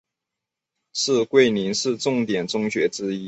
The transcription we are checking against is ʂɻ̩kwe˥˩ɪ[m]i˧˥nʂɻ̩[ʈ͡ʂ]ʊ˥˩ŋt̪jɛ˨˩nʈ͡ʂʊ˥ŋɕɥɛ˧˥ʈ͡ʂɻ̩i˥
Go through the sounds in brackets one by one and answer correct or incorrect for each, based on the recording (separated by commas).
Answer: incorrect, correct